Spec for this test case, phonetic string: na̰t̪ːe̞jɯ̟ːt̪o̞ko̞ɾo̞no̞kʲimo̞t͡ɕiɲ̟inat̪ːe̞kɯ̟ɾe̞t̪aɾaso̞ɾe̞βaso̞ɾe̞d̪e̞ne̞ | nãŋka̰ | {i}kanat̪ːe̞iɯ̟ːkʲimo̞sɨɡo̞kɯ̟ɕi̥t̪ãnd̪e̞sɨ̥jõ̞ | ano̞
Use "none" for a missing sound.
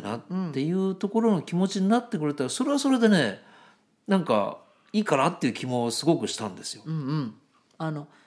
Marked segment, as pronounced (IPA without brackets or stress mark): iː